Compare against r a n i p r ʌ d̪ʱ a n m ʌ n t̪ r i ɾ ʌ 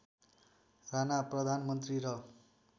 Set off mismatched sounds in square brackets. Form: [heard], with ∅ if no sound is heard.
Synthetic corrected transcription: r a n [a] p r ʌ d̪ʱ a n m ʌ n t̪ r i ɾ ʌ